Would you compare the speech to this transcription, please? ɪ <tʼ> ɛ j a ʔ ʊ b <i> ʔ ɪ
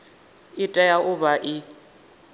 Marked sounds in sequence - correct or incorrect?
correct, incorrect: a

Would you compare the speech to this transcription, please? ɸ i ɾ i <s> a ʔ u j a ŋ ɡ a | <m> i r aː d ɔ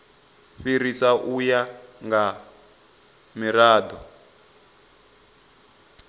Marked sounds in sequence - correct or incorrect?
correct, correct

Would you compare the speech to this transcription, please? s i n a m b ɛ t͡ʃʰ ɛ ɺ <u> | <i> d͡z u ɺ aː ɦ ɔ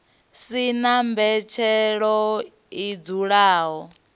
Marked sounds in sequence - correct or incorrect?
incorrect: ɔ, correct

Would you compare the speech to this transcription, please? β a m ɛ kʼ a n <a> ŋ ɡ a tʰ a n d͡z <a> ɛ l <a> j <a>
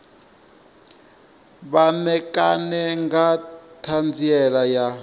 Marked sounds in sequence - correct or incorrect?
incorrect: ɛ, incorrect: i, correct, correct

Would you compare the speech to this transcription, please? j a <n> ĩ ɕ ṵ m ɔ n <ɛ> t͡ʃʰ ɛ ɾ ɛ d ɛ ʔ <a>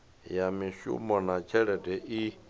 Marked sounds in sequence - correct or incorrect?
incorrect: m, incorrect: a, incorrect: i

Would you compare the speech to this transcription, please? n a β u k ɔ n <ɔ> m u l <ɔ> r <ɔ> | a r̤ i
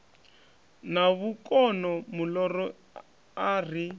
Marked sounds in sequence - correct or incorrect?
correct, correct, correct

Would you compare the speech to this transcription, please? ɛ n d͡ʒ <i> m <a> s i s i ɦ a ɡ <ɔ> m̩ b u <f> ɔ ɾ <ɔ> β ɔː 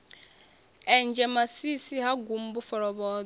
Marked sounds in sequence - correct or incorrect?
incorrect: ɛ, correct, incorrect: u, correct, correct

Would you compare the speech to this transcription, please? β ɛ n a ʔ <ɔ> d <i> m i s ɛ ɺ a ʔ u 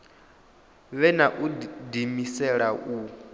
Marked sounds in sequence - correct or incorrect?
incorrect: u, correct

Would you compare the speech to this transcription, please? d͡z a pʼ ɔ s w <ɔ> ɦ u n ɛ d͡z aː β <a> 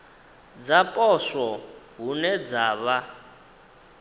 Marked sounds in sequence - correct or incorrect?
correct, correct

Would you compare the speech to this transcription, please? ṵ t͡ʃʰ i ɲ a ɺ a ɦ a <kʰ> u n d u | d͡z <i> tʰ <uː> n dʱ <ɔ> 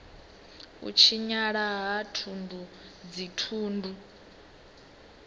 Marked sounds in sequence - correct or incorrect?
incorrect: tʰ, correct, correct, incorrect: u

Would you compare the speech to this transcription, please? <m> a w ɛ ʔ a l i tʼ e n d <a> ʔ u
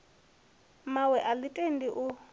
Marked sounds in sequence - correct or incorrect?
correct, incorrect: i

